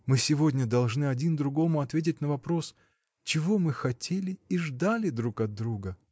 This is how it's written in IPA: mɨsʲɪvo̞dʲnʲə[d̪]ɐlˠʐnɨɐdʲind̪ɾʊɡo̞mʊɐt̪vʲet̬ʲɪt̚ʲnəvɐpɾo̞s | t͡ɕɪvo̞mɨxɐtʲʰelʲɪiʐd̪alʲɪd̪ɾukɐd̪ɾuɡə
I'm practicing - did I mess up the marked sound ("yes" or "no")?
no